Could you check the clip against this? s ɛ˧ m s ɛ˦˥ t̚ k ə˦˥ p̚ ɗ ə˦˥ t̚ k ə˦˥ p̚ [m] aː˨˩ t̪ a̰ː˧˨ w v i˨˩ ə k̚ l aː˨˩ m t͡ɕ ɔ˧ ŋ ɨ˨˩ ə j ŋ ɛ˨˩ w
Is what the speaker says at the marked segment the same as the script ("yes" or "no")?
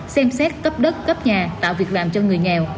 no